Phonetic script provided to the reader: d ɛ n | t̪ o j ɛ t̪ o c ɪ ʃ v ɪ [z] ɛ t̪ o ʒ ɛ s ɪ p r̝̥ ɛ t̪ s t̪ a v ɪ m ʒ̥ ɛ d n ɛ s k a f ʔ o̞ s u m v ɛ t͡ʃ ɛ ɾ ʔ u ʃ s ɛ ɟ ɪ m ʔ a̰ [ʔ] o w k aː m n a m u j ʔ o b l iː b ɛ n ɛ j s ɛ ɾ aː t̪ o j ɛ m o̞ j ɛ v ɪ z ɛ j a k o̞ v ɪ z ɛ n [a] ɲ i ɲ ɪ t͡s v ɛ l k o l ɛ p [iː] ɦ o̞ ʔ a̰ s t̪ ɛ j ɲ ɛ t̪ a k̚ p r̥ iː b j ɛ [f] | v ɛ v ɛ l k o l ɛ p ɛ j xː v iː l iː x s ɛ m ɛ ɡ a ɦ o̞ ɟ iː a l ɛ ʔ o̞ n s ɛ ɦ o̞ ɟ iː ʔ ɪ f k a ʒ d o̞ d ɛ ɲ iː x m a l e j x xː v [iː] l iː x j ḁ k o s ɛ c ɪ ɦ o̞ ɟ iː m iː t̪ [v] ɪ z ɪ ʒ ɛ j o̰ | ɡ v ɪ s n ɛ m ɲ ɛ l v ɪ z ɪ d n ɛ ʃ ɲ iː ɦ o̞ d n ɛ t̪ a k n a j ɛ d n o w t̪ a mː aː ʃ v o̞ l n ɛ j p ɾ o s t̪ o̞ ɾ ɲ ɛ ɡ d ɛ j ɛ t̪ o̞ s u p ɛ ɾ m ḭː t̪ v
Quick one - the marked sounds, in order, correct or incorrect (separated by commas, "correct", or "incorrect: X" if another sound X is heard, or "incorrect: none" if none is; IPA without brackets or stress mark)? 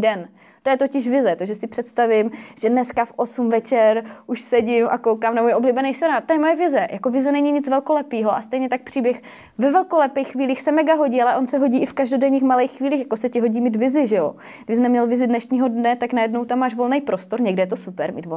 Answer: correct, incorrect: k, incorrect: ɛ, correct, incorrect: x, correct, correct